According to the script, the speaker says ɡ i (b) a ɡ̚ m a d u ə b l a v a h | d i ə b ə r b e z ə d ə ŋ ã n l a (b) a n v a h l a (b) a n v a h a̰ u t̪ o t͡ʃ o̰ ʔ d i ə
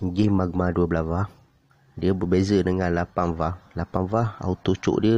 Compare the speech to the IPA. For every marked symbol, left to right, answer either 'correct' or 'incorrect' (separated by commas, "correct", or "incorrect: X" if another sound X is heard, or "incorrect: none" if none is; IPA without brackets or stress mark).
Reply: incorrect: m, incorrect: p, incorrect: p